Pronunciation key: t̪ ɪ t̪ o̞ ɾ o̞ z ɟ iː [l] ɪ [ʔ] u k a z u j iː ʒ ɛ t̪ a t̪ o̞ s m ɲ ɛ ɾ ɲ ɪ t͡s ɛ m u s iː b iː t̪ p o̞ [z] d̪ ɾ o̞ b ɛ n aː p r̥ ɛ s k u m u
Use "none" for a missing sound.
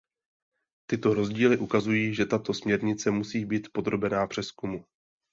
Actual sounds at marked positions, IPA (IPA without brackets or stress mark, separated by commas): l, ʔ, none